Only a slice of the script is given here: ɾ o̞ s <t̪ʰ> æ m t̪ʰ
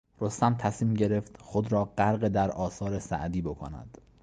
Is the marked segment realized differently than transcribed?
yes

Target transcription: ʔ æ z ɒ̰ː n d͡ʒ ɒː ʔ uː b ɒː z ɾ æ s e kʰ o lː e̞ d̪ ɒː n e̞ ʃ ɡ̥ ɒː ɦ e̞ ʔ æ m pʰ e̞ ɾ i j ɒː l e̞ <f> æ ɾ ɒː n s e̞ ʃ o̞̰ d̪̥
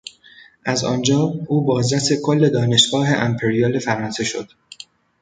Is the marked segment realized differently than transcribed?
no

